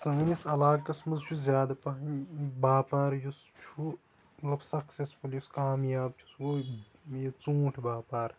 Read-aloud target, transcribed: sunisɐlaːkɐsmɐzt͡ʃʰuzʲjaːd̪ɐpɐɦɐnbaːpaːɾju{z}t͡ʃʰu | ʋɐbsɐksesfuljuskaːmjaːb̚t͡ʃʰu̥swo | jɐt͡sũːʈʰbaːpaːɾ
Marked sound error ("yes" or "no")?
yes